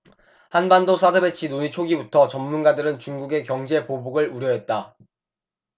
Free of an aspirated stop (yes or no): no